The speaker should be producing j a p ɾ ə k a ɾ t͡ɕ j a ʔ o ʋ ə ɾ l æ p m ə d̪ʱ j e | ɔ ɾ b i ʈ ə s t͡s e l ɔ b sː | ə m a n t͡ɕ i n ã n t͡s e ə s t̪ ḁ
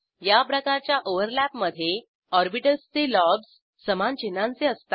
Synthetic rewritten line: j a p ɾ ə k a ɾ t͡ɕ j a ʔ o ʋ ə ɾ l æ p m ə d̪ʱ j e | ɔ ɾ b i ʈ ə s t͡s e l ɔ b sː | ə m a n t͡ɕ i n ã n t͡s e ə s t̪ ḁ